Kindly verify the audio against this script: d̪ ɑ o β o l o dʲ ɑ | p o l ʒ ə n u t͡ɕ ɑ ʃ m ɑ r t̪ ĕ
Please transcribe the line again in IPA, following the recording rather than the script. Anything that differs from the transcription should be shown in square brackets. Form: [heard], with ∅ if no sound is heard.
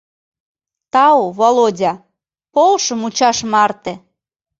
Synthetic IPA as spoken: [t̪] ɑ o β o l o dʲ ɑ | p o l [ʃ] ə [m] u t͡ɕ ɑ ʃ m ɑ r t̪ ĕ